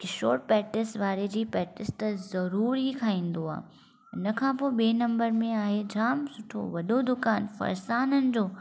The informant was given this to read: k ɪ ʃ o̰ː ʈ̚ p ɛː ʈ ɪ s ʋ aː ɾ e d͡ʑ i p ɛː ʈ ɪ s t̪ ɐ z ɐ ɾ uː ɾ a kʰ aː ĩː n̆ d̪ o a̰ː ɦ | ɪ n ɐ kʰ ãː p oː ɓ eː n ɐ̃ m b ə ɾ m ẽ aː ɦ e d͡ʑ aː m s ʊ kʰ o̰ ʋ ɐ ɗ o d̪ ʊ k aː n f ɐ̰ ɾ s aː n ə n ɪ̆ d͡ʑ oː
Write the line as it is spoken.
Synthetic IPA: k ɪ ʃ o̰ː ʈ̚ p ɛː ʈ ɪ s ʋ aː ɾ e d͡ʑ iː p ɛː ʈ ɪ s t̪ ɐ z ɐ ɾ uː ɾ i kʰ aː ĩː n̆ d̪ o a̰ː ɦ | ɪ n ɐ kʰ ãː p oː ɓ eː n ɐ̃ m b ə ɾ m ẽ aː ɦ e d͡ʑ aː m s ʊ ʈʰ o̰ ʋ ɐ ɗ o d̪ ʊ k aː n f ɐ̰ ɾ s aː n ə n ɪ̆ d͡ʑ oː